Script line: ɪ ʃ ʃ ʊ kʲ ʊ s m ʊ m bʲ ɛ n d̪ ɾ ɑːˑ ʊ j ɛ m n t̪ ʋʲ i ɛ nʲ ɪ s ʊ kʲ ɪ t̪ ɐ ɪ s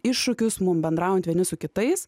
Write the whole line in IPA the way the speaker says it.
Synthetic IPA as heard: ɪ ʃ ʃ ʊ kʲ ʊ s m ʊ m bʲ ɛ n d̪ ɾ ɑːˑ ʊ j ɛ n t̪ ʋʲ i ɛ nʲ ɪ s ʊ kʲ ɪ t̪ ɐ ɪ s